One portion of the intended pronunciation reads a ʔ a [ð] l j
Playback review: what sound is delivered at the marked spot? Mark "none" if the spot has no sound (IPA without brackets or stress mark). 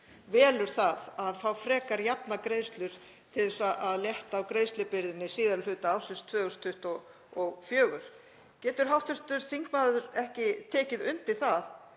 ð